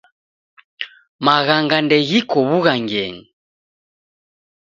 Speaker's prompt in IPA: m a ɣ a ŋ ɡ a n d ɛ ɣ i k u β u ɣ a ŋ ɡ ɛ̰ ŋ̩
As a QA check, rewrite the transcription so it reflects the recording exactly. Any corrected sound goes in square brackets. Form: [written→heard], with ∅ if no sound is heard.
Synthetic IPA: m a ɣ a ŋ ɡ a n d ɛ ɣ i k [u→ɔ] β u ɣ a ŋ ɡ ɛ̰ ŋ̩

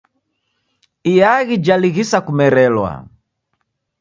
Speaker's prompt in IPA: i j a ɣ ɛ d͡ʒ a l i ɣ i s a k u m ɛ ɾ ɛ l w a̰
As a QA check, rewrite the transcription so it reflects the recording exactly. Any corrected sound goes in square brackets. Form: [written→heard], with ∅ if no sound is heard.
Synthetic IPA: i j a ɣ [ɛ→i] d͡ʒ a l i ɣ i s a k u m ɛ ɾ ɛ l w a̰

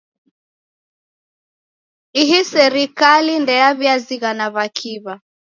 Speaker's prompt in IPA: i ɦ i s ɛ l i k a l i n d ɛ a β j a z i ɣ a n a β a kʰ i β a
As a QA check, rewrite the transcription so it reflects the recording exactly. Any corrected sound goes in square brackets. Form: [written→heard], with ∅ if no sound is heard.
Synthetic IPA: i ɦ i s ɛ [l→ɾ] i k a l i n d ɛ a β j a z i ɣ a n a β a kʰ i β a

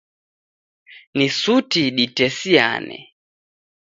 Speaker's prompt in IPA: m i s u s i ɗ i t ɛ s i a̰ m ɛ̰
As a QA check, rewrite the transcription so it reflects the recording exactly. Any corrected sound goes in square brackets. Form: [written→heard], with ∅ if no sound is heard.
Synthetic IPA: [m→n] i s u [s→t] i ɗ i t ɛ s i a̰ [m→n] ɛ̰

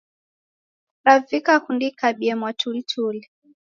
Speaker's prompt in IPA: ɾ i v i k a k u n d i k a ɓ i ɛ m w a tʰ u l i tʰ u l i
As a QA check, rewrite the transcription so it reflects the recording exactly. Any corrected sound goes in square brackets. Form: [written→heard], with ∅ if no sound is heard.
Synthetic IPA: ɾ [i→a] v i k a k u n d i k a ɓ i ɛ m w a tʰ u l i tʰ u l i

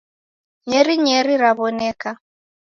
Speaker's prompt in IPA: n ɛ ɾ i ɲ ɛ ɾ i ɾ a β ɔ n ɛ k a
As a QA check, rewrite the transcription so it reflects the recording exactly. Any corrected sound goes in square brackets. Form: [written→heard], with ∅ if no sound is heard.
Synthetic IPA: [n→ɲ] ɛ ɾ i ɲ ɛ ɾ i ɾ a β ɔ n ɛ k a

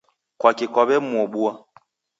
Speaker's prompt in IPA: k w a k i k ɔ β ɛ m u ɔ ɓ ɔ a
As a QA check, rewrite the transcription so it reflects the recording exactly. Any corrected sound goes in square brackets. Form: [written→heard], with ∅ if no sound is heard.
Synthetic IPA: k w a k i k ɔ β ɛ m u ɔ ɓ [ɔ→u] a

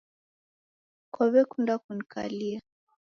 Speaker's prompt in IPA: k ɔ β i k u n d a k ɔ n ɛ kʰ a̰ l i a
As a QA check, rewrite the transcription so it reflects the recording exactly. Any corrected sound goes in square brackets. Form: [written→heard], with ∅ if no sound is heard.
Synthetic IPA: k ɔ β [i→ɛ] k u n d a k [ɔ→u] n [ɛ→i] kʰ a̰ l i a

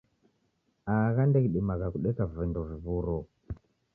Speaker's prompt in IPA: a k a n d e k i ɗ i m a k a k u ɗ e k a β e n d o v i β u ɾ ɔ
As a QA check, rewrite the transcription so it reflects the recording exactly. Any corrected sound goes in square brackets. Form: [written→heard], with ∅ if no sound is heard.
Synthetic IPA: a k a n d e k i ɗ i m a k a k u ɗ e k a [β→v] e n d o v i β u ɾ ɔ

